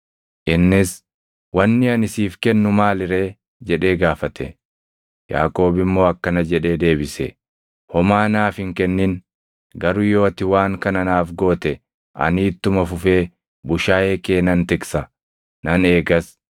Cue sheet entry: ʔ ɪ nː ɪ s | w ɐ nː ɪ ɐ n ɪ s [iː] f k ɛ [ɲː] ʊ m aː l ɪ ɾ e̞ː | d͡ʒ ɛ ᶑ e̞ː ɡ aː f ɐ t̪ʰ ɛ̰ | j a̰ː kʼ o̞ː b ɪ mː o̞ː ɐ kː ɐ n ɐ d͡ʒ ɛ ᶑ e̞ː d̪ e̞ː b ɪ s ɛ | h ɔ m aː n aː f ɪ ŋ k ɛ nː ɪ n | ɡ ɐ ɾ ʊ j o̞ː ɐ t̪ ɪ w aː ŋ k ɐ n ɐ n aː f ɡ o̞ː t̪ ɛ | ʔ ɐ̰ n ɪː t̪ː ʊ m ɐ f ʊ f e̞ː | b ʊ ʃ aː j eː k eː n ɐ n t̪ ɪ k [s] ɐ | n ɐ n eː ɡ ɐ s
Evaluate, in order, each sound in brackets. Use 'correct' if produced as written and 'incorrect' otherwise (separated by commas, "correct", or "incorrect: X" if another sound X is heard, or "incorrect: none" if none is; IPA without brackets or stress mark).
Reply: correct, incorrect: nː, correct